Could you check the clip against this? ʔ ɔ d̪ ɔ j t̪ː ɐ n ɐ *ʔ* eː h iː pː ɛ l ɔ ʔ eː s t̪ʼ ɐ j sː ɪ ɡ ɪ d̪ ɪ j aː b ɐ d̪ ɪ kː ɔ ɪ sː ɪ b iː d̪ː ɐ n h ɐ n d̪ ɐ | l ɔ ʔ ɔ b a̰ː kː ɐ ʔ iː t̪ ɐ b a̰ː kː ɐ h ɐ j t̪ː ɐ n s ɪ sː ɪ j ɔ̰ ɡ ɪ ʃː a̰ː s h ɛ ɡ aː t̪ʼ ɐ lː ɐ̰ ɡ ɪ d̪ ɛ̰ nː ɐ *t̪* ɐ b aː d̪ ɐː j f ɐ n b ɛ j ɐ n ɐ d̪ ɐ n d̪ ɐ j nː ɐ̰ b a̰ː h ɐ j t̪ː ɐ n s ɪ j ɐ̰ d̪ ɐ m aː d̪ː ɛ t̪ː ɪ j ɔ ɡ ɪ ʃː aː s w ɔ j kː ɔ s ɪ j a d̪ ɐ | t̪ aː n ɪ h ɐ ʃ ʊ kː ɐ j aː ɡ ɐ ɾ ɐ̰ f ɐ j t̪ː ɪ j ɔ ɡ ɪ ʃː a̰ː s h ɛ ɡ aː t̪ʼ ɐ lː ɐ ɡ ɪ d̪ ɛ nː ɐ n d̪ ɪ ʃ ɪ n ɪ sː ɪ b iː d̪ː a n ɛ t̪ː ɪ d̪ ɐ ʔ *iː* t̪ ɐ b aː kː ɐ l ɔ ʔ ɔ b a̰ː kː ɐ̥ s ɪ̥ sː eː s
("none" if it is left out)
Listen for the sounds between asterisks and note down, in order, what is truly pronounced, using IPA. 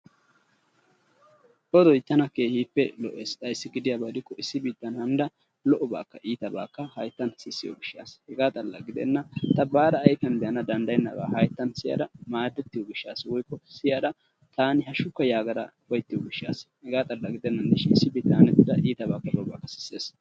k, t̪, iː

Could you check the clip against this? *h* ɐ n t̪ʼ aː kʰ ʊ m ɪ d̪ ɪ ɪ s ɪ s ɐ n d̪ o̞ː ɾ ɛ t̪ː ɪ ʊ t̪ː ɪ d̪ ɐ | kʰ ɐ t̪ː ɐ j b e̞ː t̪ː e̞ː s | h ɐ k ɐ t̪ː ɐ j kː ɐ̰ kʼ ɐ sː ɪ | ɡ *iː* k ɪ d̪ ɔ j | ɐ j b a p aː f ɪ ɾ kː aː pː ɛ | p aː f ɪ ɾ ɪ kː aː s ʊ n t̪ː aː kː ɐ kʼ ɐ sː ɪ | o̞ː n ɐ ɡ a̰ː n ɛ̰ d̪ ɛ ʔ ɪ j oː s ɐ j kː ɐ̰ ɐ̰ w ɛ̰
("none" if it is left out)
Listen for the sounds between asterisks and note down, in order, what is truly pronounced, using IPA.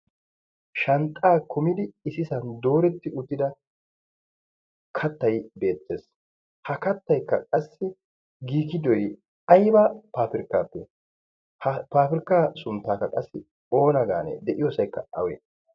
ʃ, iː

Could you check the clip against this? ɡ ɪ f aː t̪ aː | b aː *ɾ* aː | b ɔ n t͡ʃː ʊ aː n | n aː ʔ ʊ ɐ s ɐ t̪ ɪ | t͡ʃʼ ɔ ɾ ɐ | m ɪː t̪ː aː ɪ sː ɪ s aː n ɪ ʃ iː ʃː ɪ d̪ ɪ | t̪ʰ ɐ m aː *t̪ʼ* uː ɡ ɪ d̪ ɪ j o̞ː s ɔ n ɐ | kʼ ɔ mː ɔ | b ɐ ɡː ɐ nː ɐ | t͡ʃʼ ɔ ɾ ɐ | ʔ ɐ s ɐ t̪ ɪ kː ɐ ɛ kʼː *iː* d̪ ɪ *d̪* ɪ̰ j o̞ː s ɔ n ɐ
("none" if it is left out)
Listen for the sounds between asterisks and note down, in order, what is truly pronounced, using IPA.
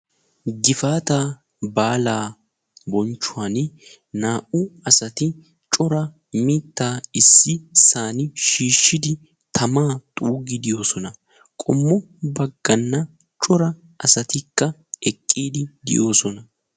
l, t̪ʼ, iː, d̪

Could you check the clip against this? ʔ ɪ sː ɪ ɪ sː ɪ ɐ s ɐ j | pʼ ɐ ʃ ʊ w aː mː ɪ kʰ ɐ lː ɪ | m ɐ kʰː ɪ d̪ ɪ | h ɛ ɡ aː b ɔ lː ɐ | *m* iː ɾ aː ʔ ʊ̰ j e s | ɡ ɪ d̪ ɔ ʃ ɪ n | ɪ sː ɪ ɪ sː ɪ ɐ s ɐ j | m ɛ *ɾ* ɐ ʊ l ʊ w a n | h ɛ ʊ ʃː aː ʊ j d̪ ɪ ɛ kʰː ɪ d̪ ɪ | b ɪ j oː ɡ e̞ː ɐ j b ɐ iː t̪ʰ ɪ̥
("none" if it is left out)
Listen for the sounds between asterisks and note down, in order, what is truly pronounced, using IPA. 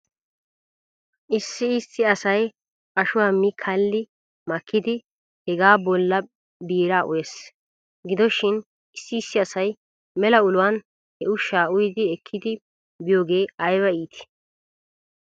b, l

